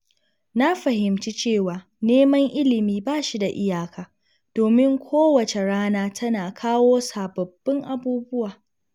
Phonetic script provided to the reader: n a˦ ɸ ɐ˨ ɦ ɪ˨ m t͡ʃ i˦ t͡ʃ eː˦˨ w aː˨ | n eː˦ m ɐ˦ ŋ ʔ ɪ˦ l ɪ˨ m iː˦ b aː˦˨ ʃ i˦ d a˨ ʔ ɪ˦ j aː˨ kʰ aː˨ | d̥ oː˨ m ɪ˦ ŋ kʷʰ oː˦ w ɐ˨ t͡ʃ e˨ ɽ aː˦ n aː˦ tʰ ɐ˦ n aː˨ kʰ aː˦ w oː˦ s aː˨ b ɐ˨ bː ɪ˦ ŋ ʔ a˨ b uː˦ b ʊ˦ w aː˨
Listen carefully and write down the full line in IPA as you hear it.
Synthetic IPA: n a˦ ɸ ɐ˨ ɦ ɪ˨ m t͡ʃ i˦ t͡ʃ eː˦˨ w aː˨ | n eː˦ m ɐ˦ ŋ ʔ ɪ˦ l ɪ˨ m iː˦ b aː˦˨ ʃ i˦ d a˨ ʔ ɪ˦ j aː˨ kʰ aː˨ | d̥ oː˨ m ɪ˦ ŋ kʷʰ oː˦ w ɐ˨ t͡ʃ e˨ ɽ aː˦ n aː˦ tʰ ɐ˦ n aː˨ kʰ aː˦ w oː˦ s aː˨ b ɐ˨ bː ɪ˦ ŋ ʔ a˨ b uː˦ b ʊ˦ w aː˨